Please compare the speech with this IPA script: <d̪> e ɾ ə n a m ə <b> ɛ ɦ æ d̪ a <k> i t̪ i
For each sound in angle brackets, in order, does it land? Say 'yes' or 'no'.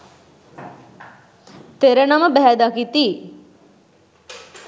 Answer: no, yes, yes

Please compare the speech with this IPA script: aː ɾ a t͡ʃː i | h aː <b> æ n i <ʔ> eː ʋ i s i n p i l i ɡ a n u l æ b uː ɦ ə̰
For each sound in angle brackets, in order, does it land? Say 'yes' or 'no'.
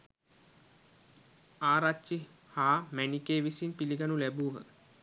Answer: no, no

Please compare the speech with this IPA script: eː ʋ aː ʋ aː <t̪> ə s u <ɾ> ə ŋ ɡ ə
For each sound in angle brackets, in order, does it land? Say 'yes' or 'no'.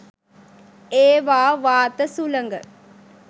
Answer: yes, no

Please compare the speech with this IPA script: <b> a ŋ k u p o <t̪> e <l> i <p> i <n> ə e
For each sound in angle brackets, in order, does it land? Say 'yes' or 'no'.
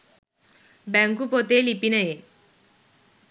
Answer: yes, yes, yes, yes, yes

